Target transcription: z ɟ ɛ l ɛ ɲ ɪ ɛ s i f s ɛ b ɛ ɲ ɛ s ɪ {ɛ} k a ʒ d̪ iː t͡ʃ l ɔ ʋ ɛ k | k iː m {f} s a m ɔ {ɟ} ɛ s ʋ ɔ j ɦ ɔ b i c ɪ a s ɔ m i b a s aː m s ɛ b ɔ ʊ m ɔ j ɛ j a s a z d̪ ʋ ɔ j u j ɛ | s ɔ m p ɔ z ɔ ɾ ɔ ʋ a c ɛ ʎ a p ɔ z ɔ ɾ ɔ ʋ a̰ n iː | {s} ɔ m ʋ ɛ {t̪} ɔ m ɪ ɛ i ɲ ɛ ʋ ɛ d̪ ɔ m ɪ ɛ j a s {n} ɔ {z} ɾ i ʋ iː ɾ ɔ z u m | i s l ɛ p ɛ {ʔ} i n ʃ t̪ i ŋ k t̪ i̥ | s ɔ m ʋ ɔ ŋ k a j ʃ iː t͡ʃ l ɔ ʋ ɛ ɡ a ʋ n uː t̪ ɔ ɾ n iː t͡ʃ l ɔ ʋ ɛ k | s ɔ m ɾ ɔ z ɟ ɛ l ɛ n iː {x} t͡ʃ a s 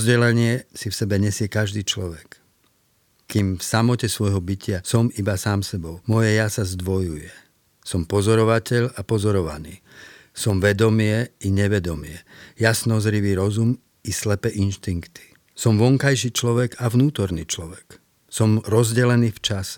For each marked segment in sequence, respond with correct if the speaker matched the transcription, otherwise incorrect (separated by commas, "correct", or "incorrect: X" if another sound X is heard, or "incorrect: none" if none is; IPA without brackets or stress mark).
correct, correct, incorrect: c, correct, incorrect: d̪, correct, correct, correct, incorrect: f